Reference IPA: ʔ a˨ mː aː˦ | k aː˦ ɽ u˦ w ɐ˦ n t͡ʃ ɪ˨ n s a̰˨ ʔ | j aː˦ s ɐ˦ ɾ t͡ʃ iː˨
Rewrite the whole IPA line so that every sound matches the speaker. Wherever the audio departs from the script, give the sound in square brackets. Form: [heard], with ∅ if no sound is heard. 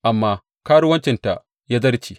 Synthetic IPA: ʔ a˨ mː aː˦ | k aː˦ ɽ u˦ w ɐ˦ n t͡ʃ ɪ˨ n [t] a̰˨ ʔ | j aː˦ [z] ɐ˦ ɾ t͡ʃ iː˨